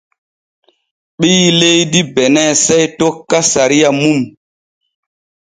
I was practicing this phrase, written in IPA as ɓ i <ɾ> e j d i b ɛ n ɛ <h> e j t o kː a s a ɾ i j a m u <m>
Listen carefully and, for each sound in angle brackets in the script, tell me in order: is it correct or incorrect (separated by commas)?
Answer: incorrect, incorrect, correct